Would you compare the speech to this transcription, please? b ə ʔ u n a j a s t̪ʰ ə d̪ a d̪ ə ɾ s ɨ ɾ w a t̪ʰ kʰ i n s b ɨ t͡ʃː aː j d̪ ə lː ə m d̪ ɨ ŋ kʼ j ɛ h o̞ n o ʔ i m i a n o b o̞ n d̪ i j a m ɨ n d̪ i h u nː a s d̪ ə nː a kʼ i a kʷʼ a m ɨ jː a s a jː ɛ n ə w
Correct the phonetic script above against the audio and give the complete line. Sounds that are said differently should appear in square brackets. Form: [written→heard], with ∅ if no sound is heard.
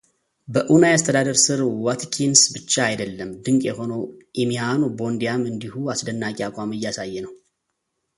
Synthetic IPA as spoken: b ə ʔ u n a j a s t̪ʰ ə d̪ a d̪ ə ɾ s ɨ ɾ w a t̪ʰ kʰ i n s b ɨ t͡ʃː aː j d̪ ə lː ə m d̪ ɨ ŋ kʼ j ɛ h o̞ n o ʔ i m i a n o b o̞ n d̪ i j a m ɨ n d̪ i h u [nː→∅] a s d̪ ə nː a kʼ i a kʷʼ a m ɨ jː a s a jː ɛ n ə w